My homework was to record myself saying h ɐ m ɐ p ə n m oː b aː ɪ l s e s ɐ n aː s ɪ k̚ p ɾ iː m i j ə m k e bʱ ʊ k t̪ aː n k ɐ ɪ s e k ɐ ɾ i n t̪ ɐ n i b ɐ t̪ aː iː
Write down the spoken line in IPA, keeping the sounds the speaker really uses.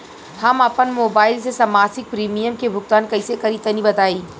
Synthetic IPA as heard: h ɐ m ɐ p ə n m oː b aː ɪ l s e s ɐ m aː s ɪ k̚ p ɾ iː m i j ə m k e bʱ ʊ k t̪ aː n k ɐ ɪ s e k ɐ ɾ i t̪ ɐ n i b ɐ t̪ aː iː